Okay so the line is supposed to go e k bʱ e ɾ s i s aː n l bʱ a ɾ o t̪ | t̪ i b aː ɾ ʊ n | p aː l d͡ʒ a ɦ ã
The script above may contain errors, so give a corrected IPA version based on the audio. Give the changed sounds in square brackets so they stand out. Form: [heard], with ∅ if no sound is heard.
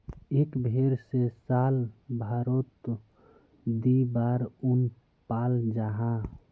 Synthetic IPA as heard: e k bʱ e ɾ s [e] s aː [∅] l bʱ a ɾ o t̪ | [d̪] i b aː ɾ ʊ n | p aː l d͡ʒ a ɦ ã